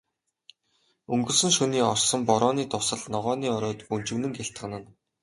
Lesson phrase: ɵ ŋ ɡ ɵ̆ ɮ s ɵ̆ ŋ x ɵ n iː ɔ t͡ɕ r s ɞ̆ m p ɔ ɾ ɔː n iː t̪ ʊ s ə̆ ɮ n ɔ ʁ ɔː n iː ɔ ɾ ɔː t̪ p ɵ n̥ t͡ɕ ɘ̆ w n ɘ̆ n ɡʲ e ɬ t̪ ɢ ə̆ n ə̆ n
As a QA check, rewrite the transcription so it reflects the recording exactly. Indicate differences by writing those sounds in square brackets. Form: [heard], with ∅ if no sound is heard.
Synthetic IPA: ɵ ŋ ɡ ɵ̆ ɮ s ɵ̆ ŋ [ʃ] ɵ n iː ɔ [∅] r s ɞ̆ m p ɔ ɾ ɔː n iː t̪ ʊ s ə̆ ɮ n ɔ ʁ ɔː n iː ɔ ɾ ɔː t̪ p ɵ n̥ t͡ɕ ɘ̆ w n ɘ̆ [ŋ] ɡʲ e ɬ t̪ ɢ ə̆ n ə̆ n

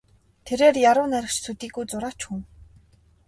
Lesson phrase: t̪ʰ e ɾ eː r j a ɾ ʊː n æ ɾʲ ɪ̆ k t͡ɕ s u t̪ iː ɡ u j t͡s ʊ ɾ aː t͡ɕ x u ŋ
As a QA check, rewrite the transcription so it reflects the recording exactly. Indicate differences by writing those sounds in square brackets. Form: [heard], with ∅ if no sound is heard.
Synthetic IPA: t̪ʰ e ɾ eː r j a ɾ ʊː n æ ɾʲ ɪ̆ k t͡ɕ s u t̪ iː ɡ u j t͡s ʊ ɾ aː t͡ɕ x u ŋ

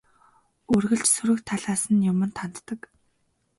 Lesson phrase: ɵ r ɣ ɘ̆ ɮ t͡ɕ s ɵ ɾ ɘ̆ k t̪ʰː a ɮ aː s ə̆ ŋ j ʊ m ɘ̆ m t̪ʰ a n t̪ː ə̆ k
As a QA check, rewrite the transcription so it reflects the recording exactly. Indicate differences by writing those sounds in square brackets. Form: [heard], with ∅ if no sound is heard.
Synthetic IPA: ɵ r ɣ ɘ̆ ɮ t͡ɕ s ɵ ɾ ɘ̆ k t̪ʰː a ɮ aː s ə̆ [n] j ʊ m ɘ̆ [n] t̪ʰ a n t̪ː ə̆ k

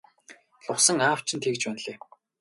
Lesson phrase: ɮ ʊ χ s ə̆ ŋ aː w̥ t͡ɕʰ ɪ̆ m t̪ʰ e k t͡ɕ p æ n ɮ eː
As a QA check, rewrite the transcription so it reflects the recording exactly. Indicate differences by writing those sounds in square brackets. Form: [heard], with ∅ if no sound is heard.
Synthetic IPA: ɮ ʊ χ s ə̆ ŋ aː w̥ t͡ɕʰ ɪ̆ [n] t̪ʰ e k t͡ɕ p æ n ɮ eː

